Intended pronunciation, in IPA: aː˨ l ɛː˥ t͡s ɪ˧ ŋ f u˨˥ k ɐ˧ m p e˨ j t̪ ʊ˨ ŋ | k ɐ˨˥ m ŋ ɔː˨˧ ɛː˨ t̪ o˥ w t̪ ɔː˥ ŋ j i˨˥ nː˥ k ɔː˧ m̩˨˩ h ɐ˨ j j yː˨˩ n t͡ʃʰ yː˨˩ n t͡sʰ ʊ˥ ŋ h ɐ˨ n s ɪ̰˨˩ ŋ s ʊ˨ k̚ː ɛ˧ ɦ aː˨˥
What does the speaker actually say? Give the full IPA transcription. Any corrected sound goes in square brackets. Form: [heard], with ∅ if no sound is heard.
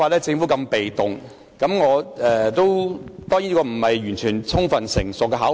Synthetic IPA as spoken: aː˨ l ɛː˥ t͡s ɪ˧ ŋ f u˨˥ k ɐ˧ m p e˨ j t̪ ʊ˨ ŋ | k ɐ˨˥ m ŋ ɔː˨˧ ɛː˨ t̪ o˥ w t̪ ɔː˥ ŋ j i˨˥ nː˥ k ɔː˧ m̩˨˩ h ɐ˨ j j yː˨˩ n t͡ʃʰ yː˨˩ n t͡sʰ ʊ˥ ŋ [f] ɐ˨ n s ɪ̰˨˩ ŋ s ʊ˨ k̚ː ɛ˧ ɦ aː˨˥